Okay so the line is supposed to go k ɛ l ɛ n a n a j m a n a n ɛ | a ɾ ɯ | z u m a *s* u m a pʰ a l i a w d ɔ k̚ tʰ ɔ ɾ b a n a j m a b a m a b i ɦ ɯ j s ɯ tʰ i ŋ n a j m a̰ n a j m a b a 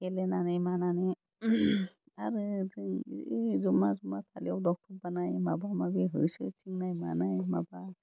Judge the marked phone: incorrect: z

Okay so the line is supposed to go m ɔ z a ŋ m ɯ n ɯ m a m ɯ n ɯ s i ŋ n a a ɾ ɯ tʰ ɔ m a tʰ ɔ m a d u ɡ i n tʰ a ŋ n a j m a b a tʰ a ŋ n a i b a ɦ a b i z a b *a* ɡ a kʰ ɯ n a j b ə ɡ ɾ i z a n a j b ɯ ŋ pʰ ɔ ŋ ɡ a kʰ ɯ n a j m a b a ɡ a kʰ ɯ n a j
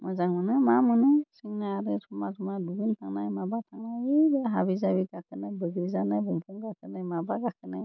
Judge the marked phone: incorrect: i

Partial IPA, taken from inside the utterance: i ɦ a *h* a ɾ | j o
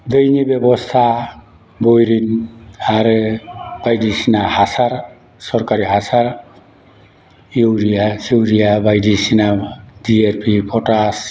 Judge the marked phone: incorrect: s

